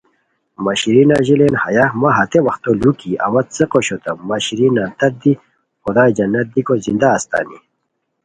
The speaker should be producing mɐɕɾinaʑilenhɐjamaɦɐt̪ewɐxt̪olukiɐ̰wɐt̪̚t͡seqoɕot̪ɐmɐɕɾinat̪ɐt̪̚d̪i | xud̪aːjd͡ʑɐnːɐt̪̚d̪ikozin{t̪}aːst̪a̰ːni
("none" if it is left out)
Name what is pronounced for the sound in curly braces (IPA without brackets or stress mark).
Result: d̪